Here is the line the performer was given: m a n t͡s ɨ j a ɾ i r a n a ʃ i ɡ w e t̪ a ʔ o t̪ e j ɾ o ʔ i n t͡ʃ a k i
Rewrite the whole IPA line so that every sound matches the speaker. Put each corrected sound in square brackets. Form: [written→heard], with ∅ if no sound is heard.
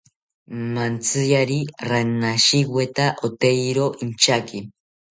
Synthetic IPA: m a n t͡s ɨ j a ɾ i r a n a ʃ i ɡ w e t̪ a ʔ o t̪ e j ɾ o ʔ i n t͡ʃ a k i